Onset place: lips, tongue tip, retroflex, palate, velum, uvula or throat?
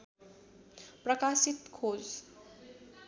lips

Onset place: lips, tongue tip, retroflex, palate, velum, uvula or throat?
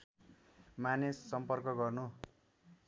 lips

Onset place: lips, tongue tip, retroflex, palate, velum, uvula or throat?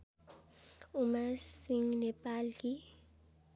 lips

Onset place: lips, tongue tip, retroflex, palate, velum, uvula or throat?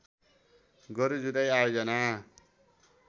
velum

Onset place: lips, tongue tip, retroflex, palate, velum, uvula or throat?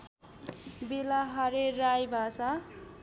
lips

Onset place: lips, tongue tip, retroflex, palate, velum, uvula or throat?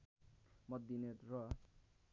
lips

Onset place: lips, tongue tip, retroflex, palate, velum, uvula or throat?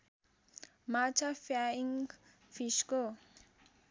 lips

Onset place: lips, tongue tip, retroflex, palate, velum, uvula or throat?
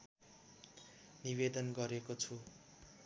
tongue tip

